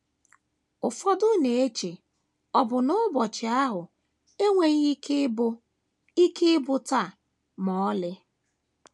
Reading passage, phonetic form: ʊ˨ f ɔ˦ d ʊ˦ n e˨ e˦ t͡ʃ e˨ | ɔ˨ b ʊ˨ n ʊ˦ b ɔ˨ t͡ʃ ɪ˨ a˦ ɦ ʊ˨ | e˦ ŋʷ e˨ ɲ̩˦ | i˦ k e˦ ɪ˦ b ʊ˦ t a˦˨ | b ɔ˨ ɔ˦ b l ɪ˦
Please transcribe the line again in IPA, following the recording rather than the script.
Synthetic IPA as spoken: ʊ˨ f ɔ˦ d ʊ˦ n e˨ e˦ t͡ʃ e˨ | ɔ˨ b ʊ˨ n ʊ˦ b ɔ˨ t͡ʃ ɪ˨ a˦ ɦ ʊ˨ | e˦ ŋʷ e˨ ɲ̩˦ | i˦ k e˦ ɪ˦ b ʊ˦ t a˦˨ | m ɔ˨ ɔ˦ l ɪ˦